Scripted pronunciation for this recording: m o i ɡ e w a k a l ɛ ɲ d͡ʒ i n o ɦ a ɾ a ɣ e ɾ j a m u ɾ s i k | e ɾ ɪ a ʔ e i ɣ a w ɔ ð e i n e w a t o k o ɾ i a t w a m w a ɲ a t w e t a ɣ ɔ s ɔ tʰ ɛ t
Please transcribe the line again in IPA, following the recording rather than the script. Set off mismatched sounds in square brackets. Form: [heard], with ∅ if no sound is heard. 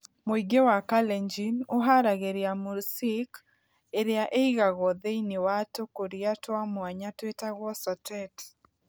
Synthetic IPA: m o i ɡ e w a k a l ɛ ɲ d͡ʒ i n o ɦ a ɾ a ɣ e ɾ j a m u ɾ s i k | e ɾ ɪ a ʔ e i ɣ a [ɣ] ɔ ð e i n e w a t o k o ɾ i a t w a m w a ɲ a t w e t a ɣ ɔ s ɔ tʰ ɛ t